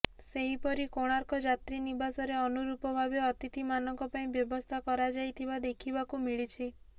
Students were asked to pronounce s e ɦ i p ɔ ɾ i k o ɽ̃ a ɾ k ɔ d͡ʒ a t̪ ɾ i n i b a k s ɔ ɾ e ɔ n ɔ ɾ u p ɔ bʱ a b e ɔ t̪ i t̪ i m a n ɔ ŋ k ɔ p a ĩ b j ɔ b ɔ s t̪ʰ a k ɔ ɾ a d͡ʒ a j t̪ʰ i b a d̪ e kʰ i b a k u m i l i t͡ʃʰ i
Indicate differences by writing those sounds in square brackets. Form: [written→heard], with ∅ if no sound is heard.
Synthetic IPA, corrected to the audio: s e ɦ i p ɔ ɾ i k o ɽ̃ a ɾ k ɔ d͡ʒ a t̪ ɾ i n i b a [k→∅] s ɔ ɾ e ɔ n [ɔ→u] ɾ u p ɔ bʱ a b e ɔ t̪ i t̪ i m a n ɔ ŋ k ɔ p a ĩ b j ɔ b ɔ s t̪ʰ a k ɔ ɾ a d͡ʒ a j t̪ʰ i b a d̪ e kʰ i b a k u m i [l→ɭ] i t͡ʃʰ i